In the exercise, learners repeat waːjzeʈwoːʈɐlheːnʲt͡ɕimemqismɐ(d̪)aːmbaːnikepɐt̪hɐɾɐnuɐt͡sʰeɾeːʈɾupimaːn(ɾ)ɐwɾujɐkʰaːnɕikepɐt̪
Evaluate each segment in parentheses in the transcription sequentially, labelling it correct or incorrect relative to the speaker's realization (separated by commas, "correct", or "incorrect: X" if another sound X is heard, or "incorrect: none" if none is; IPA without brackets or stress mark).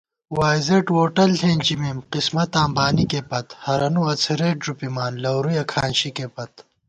incorrect: t̪, incorrect: l